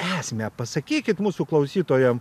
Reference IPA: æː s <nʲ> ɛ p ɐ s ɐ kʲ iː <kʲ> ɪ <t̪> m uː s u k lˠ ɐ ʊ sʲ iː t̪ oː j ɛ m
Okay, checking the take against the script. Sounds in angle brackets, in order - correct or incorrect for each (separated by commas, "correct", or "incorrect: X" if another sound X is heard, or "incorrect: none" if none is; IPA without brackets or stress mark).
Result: incorrect: mʲ, correct, correct